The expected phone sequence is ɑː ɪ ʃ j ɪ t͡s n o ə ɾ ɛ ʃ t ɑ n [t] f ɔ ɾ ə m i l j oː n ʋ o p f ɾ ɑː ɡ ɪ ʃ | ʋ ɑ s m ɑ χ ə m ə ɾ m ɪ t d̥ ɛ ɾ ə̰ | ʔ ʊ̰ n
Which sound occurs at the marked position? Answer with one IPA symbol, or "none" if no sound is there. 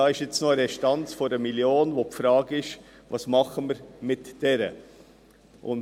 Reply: t͡s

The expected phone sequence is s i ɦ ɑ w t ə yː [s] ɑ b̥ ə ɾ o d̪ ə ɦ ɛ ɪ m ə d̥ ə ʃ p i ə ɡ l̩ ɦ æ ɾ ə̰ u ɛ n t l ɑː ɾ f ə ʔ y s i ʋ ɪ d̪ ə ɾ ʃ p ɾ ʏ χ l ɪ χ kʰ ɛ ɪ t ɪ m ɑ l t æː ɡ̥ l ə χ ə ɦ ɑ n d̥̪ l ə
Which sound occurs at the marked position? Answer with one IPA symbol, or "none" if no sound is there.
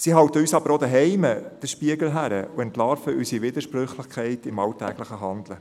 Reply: s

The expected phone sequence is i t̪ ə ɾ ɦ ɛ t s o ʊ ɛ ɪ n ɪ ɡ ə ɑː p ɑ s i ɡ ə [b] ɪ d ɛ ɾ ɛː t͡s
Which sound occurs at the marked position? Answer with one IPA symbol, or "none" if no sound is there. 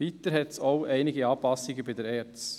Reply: b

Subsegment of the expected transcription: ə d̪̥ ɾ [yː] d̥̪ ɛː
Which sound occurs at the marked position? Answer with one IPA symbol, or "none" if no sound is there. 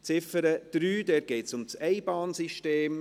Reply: yː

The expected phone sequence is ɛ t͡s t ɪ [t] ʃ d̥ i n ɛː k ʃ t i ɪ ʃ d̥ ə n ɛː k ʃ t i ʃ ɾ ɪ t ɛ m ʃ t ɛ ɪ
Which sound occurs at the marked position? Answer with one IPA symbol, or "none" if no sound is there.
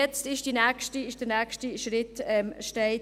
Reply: none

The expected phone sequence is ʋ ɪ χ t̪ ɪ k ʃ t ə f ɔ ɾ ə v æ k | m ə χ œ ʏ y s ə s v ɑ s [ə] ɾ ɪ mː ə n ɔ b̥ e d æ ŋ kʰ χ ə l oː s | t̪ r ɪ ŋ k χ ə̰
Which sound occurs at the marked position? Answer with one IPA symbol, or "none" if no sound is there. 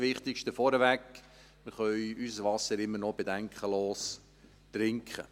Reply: ə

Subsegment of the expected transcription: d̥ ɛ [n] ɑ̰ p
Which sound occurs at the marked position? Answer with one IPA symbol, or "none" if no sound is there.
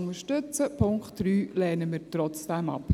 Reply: m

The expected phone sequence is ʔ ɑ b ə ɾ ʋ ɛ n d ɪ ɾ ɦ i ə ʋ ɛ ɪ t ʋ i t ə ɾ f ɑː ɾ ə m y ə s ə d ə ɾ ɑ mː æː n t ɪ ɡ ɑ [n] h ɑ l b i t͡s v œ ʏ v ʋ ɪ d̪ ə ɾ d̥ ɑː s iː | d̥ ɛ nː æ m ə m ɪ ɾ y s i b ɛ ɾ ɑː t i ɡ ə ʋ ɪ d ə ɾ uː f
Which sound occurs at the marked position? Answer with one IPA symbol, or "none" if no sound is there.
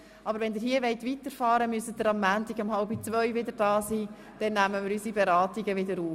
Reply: m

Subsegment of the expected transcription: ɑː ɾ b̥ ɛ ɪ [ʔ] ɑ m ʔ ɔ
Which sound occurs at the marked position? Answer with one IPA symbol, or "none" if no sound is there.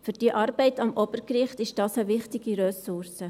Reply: t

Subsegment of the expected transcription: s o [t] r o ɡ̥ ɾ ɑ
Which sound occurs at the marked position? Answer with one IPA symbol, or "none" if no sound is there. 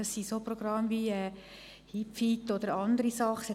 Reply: p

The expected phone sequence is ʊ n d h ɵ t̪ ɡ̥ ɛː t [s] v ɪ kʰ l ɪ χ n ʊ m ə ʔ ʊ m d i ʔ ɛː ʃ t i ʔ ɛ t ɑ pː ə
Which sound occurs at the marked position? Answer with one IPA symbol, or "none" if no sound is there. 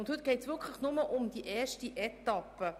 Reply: s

